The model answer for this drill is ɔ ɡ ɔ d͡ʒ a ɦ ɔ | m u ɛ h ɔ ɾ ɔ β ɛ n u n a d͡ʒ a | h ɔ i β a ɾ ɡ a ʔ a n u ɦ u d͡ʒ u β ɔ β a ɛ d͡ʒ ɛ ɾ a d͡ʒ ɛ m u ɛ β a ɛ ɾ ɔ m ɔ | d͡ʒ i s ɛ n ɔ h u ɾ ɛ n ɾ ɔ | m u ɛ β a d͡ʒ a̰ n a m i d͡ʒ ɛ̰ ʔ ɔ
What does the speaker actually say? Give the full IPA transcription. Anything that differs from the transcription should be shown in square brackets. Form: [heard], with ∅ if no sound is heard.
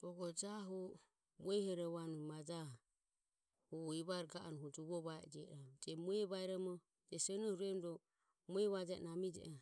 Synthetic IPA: ɔ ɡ ɔ d͡ʒ a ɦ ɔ | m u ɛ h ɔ ɾ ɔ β [a] n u [m] a d͡ʒ a | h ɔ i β a ɾ ɡ a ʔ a n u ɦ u d͡ʒ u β ɔ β a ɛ d͡ʒ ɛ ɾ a d͡ʒ ɛ m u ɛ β a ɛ ɾ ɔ m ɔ | d͡ʒ [ɛ] s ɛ n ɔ h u ɾ ɛ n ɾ ɔ | m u ɛ β a d͡ʒ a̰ n a m i d͡ʒ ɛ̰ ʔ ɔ